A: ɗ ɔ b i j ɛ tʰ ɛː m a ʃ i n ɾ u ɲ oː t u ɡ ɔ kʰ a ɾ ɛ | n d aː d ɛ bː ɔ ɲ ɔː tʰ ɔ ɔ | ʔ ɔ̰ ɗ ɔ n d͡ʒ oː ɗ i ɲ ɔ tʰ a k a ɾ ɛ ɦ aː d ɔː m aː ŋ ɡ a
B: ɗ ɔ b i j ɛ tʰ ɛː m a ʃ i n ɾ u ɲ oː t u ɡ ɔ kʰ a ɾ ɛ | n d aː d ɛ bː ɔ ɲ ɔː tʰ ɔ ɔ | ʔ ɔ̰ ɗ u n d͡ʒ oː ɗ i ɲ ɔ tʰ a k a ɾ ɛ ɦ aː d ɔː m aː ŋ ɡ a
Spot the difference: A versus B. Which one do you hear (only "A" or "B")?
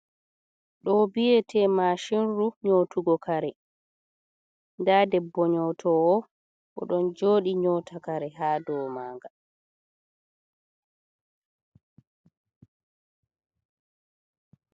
A